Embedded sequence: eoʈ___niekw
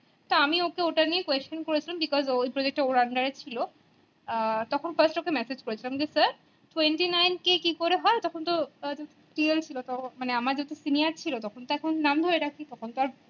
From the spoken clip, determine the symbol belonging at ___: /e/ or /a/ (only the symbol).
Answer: a